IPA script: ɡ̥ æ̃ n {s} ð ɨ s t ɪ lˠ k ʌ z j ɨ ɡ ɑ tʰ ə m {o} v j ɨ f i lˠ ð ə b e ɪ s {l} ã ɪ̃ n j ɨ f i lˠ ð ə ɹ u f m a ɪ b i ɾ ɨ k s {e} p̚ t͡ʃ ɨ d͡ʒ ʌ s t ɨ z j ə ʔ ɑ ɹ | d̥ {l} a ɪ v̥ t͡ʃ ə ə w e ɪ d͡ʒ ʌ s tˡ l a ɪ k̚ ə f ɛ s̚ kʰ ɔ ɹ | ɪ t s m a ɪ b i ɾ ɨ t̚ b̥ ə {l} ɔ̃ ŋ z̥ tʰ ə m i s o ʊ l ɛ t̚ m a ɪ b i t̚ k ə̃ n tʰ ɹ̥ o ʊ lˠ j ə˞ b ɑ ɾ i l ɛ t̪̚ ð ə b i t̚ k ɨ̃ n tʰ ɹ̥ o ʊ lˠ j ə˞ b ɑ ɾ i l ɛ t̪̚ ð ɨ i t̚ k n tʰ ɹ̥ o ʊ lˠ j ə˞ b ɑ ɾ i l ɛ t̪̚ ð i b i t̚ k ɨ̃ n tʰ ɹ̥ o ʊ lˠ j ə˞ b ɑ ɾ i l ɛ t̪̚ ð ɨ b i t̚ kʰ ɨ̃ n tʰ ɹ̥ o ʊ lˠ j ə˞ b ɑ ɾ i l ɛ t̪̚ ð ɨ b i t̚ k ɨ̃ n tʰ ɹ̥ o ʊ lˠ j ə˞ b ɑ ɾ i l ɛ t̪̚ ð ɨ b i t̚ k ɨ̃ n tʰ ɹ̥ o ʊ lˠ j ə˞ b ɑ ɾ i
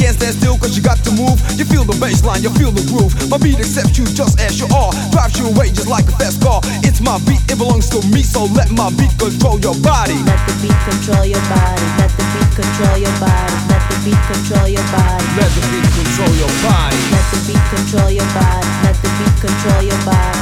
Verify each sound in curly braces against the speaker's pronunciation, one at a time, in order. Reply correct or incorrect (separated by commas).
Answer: correct, incorrect, correct, incorrect, incorrect, correct